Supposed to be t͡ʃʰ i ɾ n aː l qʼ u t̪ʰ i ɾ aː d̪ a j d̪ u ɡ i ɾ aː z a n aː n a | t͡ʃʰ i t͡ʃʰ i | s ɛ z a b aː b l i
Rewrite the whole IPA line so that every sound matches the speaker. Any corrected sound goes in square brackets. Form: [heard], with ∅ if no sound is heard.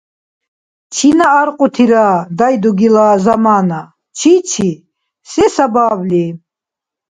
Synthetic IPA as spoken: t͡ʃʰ i [∅] n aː [ɾ] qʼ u t̪ʰ i ɾ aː d̪ a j d̪ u ɡ i [l] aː z a [m] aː n a | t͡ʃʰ i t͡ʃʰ i | s ɛ [s] a b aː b l i

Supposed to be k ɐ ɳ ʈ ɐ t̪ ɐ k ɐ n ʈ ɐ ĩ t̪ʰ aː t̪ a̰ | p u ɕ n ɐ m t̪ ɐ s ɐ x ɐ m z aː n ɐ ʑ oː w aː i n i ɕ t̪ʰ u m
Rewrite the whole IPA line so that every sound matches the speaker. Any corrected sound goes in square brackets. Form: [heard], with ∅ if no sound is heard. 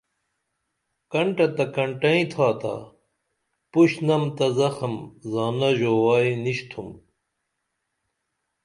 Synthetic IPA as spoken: k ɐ ɳ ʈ ɐ t̪ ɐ k ɐ [ɳ] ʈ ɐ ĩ t̪ʰ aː t̪ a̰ | p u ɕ n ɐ m t̪ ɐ [z] ɐ x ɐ m z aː n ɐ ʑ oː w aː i n i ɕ t̪ʰ u m

